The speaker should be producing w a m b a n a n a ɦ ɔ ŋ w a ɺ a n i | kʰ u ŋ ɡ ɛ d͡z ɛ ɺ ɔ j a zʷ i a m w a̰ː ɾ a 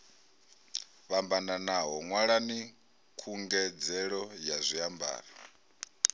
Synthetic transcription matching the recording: β a m b a n a n a ɦ ɔ ŋ w a ɺ a n i | kʰ u ŋ ɡ ɛ d͡z ɛ ɺ ɔ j a zʷ i a m b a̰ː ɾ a